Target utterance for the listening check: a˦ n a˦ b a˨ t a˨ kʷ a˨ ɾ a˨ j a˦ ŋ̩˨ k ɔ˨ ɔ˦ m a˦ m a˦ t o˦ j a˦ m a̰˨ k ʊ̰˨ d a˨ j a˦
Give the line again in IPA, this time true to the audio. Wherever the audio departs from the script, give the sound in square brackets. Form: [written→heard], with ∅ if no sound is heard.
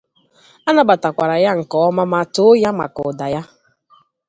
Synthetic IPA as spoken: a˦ n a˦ b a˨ t a˨ kʷ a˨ ɾ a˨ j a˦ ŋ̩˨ k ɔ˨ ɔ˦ m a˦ m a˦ t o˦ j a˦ m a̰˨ k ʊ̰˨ d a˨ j a˦